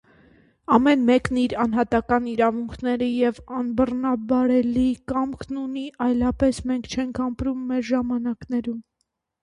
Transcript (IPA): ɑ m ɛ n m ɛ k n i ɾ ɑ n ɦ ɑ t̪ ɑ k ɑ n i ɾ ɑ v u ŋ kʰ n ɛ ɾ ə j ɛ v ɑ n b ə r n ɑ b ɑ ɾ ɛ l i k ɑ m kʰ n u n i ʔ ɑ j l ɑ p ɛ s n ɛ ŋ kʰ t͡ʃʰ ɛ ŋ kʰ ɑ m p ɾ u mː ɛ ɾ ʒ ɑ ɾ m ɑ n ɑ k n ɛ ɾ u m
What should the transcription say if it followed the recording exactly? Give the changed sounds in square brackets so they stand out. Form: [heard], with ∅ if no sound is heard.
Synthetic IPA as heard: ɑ m ɛ n m ɛ k n i ɾ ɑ n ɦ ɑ t̪ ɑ k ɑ n i ɾ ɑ v u ŋ kʰ n ɛ ɾ ə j ɛ v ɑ n b ə r n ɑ b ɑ ɾ ɛ l i k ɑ m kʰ n u n i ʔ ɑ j l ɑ p ɛ s [m] ɛ ŋ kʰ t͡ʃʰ ɛ ŋ kʰ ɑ m p ɾ u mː ɛ ɾ ʒ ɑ [∅] m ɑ n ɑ k n ɛ ɾ u m